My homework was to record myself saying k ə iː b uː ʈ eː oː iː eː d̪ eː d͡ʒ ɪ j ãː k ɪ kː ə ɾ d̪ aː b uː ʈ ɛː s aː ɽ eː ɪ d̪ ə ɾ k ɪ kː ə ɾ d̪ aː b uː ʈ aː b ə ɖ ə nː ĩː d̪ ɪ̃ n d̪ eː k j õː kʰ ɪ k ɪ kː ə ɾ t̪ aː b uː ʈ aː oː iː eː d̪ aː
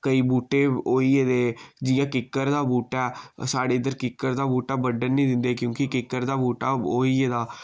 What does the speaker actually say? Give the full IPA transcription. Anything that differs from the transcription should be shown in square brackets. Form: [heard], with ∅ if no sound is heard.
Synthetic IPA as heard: k ə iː b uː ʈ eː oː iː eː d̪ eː d͡ʒ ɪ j ãː k ɪ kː ə ɾ d̪ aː b uː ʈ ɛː s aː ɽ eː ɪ d̪ ə ɾ k ɪ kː ə ɾ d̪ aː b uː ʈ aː b ə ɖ ə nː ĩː d̪ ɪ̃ n d̪ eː k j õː [k] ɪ k ɪ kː ə ɾ [d̪] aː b uː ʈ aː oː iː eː d̪ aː

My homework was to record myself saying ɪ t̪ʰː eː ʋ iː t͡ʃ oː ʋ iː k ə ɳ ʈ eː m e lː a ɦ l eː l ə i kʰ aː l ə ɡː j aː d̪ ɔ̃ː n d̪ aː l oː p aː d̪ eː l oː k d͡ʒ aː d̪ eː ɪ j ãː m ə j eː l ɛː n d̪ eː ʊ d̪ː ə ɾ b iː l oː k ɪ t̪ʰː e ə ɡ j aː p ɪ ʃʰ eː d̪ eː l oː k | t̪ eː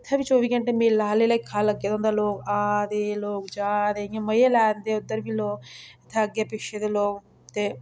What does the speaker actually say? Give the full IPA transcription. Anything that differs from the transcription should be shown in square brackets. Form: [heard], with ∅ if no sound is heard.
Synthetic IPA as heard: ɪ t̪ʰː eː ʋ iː t͡ʃ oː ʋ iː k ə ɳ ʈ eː m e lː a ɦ l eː l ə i kʰ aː l ə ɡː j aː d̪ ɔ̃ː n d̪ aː l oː [k] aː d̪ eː l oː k d͡ʒ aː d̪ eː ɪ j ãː m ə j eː l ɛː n d̪ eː ʊ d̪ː ə ɾ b iː l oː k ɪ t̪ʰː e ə ɡ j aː p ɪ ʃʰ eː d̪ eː l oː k | t̪ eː

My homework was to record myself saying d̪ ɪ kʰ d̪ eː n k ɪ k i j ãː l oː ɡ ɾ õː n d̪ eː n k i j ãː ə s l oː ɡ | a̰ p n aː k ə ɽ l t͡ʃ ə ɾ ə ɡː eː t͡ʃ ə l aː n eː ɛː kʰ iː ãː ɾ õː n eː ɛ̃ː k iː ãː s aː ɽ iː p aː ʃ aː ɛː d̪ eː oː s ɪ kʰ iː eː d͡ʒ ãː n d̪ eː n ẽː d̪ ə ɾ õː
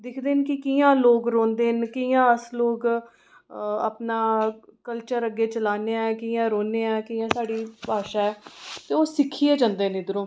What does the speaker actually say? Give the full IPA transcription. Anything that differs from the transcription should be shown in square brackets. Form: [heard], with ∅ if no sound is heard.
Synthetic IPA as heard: d̪ ɪ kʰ d̪ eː n k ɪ k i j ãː l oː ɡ ɾ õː n d̪ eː n k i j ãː ə s l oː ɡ | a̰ p n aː k ə [∅] l t͡ʃ ə ɾ ə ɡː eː t͡ʃ ə l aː n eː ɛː [k] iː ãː ɾ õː n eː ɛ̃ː k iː ãː s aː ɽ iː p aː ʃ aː ɛː [t̪] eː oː s ɪ kʰ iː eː d͡ʒ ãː n d̪ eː n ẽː d̪ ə ɾ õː

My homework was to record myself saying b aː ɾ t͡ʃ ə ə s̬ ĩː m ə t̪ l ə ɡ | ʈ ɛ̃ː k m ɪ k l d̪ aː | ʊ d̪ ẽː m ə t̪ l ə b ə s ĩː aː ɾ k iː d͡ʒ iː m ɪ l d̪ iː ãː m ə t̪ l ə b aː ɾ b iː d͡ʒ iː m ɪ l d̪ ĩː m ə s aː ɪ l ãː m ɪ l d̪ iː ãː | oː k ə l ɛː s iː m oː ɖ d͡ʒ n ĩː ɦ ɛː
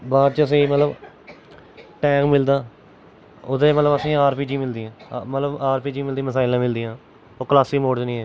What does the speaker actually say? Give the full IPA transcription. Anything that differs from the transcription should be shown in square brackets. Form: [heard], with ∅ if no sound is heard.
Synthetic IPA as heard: b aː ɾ t͡ʃ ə ə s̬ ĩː m ə t̪ l ə [b] | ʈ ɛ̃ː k m ɪ [∅] l d̪ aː | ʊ d̪ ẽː m ə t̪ l ə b ə s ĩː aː ɾ [p] iː d͡ʒ iː m ɪ l d̪ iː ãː m ə t̪ l ə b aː ɾ [p] iː d͡ʒ iː m ɪ l d̪ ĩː m ə s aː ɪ l ãː m ɪ l d̪ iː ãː | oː k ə l [aː] s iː m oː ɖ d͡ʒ n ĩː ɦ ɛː

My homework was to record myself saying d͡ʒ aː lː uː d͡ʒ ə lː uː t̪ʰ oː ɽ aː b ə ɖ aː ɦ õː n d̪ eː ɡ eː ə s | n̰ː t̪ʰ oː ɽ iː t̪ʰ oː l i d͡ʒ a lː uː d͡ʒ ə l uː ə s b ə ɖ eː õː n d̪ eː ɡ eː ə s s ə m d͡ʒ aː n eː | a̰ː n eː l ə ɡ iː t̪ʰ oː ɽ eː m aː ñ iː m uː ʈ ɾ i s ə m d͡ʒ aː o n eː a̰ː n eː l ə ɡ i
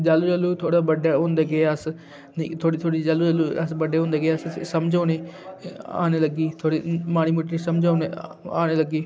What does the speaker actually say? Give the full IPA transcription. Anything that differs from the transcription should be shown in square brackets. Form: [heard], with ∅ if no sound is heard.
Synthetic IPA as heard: d͡ʒ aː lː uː d͡ʒ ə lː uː t̪ʰ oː ɽ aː b ə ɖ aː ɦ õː n d̪ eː ɡ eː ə s | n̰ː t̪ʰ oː ɽ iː t̪ʰ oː [ɽ] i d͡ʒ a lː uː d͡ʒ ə l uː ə s b ə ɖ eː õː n d̪ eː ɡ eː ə s s ə m d͡ʒ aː n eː | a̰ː n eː l ə ɡ iː t̪ʰ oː ɽ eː m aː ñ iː m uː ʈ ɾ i s ə m d͡ʒ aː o n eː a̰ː n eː l ə ɡ [iː]

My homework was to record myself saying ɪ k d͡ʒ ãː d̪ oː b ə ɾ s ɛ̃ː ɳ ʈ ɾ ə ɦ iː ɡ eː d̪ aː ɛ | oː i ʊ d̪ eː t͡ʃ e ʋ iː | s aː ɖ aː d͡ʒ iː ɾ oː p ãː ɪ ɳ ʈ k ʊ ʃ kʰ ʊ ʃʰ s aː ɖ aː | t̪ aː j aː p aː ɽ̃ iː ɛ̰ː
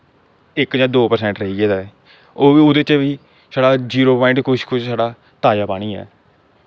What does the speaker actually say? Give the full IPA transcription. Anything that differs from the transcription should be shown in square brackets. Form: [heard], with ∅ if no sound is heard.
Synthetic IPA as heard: ɪ k d͡ʒ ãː d̪ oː [p] ə ɾ s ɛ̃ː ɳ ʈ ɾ ə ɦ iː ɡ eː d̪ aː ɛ | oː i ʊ d̪ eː t͡ʃ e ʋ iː | s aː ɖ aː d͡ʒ iː ɾ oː p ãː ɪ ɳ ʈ k ʊ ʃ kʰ ʊ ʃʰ s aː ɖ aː | t̪ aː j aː p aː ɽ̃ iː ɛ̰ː

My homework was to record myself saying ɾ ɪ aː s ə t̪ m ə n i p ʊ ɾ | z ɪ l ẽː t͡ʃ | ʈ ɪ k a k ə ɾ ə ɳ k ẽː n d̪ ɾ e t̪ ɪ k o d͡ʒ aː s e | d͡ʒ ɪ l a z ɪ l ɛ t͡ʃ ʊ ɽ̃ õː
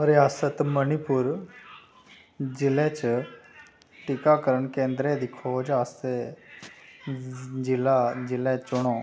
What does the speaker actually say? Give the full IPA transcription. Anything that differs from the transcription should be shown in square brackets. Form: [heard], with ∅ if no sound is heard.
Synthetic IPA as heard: ɾ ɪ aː s ə t̪ m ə n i p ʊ ɾ | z ɪ l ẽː t͡ʃ | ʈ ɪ k a k ə ɾ ə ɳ k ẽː n d̪ ɾ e [d̪] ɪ [kʰ] o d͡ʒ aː s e | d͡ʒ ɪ l a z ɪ l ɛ t͡ʃ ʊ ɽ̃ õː

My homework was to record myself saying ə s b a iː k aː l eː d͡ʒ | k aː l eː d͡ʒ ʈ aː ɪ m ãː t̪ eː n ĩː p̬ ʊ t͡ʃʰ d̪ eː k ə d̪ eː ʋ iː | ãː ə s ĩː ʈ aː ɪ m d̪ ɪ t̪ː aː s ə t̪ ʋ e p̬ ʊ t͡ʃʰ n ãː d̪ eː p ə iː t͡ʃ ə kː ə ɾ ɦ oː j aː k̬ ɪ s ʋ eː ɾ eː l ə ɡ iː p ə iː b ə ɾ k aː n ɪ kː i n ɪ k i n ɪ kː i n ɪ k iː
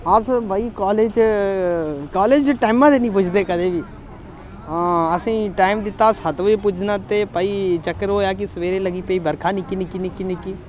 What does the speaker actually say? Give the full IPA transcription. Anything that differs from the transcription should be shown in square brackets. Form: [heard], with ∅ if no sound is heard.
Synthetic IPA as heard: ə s b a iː k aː l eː d͡ʒ | k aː l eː d͡ʒ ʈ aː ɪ m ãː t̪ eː n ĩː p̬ ʊ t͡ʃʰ d̪ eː k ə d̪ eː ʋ iː | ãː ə s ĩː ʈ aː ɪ m d̪ ɪ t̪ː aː s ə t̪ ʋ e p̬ ʊ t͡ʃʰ n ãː [t̪] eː p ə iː t͡ʃ ə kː ə ɾ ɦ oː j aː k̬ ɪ s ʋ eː ɾ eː l ə ɡ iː p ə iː b ə ɾ [kʰ] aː n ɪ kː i n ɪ k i n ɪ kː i n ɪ k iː

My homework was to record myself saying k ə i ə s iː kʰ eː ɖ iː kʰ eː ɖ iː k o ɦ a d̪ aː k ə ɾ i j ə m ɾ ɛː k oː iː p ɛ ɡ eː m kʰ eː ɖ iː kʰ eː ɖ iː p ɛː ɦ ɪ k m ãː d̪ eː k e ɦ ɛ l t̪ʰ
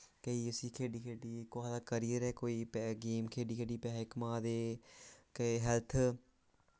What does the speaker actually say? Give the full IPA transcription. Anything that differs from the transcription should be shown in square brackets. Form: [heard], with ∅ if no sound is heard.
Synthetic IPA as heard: k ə i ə s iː kʰ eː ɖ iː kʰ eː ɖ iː k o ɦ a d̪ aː k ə ɾ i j ə [∅] ɾ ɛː k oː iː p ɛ ɡ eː m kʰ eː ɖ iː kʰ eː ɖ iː p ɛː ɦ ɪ k m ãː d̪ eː k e ɦ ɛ l t̪ʰ

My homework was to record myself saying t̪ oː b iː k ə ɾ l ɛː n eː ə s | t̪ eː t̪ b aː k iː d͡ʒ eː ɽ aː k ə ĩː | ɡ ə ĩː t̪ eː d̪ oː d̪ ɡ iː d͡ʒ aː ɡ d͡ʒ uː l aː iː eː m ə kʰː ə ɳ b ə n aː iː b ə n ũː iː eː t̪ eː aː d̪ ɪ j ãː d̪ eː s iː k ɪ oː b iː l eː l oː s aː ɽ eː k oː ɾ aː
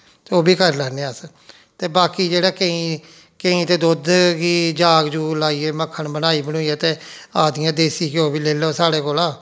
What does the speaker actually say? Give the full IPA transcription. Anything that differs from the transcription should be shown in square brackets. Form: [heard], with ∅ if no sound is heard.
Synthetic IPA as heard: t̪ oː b iː k ə ɾ l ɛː n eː ə s | t̪ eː [∅] b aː k iː d͡ʒ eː ɽ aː k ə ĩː | [k] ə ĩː t̪ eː d̪ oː d̪ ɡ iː d͡ʒ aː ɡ d͡ʒ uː l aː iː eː m ə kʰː ə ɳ b ə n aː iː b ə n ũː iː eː t̪ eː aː d̪ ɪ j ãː d̪ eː s iː k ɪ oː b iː l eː l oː s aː ɽ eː k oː [l] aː

